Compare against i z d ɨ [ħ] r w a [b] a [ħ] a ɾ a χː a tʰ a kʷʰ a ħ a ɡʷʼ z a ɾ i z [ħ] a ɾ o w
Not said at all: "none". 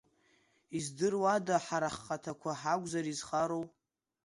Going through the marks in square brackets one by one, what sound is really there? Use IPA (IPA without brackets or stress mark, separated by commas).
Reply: none, d, ħ, χ